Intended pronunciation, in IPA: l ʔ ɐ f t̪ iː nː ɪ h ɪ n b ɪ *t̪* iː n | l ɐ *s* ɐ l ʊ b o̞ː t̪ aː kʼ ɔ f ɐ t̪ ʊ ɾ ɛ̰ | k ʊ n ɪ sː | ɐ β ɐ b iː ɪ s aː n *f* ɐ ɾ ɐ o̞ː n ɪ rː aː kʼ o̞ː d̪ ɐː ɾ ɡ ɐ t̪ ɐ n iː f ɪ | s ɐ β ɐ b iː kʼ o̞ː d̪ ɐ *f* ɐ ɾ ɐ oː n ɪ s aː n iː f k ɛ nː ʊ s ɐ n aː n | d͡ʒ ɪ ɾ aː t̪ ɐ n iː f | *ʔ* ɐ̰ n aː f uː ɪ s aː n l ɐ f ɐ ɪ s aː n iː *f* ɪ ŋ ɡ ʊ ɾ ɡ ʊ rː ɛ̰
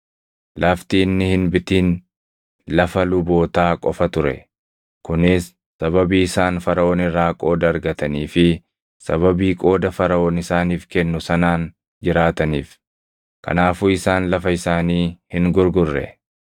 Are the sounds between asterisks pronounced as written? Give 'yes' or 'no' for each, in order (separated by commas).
yes, no, yes, yes, no, no